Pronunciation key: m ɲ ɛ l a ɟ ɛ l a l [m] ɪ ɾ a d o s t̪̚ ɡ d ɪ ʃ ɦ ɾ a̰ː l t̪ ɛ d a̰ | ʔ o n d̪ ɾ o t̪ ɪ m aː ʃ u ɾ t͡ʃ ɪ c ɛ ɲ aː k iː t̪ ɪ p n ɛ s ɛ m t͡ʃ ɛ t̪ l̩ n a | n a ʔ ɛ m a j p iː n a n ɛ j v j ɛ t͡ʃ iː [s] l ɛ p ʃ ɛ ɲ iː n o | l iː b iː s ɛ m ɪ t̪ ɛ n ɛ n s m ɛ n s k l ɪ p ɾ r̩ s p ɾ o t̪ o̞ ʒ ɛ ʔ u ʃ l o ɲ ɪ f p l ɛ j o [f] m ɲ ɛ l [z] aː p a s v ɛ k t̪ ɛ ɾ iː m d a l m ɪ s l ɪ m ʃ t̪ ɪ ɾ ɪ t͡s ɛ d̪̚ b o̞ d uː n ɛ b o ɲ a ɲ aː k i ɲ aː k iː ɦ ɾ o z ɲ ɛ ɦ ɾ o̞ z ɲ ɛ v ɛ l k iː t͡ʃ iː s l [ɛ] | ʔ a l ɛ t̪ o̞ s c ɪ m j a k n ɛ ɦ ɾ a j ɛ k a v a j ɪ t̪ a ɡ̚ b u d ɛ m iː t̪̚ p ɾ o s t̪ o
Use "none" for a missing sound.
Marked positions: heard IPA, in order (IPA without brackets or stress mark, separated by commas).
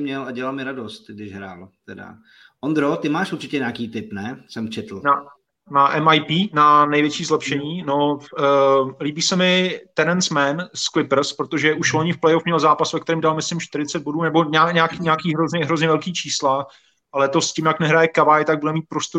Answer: m, z, f, z, a